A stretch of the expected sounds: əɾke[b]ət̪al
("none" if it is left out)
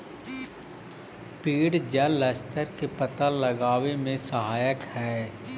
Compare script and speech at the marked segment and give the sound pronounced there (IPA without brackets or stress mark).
p